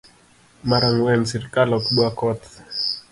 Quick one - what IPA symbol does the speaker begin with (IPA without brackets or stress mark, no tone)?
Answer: m